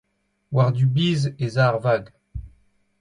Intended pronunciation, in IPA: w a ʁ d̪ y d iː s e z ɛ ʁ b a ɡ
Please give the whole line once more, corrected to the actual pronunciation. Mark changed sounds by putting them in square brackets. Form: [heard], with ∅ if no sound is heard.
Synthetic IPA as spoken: w a ʁ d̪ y [b] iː [z] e z [a] ʁ [v] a ɡ